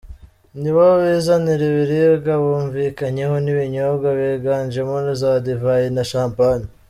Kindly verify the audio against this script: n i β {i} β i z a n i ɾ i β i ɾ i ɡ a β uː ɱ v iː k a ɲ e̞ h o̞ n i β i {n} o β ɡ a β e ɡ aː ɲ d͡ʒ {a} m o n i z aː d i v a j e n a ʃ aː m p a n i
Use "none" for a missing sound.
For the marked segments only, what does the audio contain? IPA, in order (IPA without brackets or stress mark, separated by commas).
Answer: a, ɲ, e